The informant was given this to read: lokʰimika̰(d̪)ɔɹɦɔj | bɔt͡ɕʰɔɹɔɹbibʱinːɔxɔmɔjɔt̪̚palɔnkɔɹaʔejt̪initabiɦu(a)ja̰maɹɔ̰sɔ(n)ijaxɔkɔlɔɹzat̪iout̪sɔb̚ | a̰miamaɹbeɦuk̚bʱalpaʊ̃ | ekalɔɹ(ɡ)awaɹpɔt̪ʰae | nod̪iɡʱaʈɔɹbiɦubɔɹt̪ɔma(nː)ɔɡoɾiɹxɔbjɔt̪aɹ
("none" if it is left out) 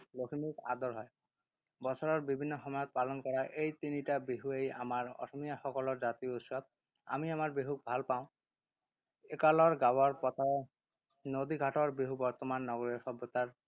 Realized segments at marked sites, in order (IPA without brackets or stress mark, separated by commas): d̪, e, m, ɡ, nː